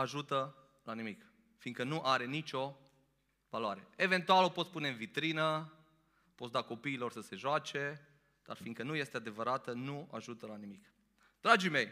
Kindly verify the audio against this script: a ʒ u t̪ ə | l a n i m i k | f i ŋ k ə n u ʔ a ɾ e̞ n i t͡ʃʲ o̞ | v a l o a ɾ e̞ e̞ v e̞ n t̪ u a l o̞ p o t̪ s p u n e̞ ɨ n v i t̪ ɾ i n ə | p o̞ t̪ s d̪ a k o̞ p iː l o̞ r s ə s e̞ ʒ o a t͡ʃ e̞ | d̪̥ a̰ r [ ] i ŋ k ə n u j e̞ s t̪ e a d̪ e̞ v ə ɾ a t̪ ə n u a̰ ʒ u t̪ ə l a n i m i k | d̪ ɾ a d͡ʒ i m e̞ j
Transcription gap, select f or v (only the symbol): f